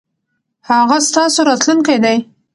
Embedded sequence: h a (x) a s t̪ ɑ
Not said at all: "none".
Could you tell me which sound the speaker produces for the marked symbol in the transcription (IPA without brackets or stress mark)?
ɣ